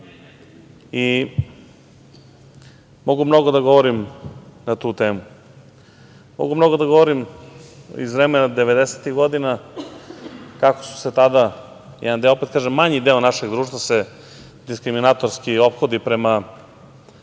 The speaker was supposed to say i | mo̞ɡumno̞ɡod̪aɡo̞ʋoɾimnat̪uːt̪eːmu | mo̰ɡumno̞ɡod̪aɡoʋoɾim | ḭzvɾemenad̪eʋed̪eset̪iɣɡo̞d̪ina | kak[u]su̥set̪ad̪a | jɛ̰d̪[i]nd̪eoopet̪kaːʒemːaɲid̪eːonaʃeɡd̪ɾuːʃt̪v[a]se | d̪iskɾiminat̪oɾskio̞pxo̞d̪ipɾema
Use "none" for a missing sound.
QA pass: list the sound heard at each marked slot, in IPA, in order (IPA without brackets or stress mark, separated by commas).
o, a, a